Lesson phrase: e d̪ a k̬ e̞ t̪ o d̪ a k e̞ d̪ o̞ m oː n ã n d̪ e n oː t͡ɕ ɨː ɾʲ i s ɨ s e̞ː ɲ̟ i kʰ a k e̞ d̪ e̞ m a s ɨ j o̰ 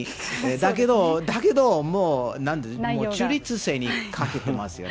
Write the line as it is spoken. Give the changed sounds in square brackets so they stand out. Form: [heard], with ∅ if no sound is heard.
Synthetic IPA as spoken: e d̪ a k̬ e̞ [d̪] o d̪ a k e̞ d̪ o̞ m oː n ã n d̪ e [m] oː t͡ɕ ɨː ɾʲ i [t͡s] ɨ s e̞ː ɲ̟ i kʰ a k e̞ [t̪] e̞ m a s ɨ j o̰